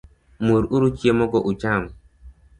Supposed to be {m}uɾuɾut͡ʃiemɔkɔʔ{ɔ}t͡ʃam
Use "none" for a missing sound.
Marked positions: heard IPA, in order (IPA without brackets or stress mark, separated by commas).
m, u